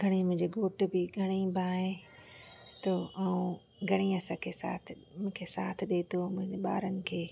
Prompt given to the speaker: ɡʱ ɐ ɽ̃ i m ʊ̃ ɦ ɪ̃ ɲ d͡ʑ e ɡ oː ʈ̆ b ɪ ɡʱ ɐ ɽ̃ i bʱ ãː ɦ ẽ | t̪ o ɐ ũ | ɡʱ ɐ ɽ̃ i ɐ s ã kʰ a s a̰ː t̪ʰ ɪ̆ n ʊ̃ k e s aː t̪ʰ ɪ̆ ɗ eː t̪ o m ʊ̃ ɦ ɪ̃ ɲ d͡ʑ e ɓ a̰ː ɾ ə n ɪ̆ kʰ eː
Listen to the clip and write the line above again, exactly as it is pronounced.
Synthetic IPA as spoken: ɡʱ ɐ ɽ̃ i m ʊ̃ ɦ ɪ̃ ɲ d͡ʑ e ɡ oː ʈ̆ b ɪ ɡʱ ɐ ɽ̃ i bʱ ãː ɦ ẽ | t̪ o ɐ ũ | ɡʱ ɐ ɽ̃ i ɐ s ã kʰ e s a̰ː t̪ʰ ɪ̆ m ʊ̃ kʰ e s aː t̪ʰ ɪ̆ ɗ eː t̪ o m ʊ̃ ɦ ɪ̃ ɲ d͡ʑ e ɓ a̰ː ɾ ə n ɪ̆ kʰ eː